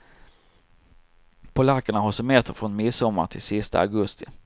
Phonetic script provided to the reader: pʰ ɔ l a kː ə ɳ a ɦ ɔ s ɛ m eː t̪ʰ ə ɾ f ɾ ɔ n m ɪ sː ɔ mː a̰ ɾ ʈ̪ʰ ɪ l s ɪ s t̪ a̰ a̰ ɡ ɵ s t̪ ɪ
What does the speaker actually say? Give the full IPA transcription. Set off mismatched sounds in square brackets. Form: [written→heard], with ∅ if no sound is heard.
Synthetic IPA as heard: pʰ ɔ l a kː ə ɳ a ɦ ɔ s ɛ m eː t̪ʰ ə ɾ f ɾ ɔ n m ɪ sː ɔ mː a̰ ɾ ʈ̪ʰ ɪ l s ɪ s t̪ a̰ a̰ ɡ ɵ s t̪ ɪ